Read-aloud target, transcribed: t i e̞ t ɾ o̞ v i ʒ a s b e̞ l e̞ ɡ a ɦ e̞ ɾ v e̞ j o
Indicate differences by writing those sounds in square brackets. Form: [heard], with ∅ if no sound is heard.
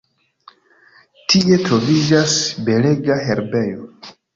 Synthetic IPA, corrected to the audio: t i e̞ t ɾ o̞ v i [d͡ʒ] a s b e̞ l e̞ ɡ a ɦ e̞ ɾ [b] e̞ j o